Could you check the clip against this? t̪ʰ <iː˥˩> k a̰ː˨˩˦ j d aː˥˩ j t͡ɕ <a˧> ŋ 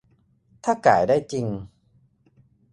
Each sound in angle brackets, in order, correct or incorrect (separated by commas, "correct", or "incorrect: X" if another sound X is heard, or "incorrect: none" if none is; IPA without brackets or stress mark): incorrect: aː˥˩, incorrect: i˧